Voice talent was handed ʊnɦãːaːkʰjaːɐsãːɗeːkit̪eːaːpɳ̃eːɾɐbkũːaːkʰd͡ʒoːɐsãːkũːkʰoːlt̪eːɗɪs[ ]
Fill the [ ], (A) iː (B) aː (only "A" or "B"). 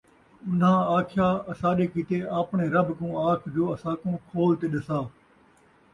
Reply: B